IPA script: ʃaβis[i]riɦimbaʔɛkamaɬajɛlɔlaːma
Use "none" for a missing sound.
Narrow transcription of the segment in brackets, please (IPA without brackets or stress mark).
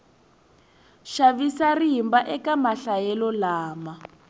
a